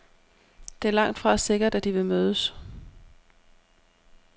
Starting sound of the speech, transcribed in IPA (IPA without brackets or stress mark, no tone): d̥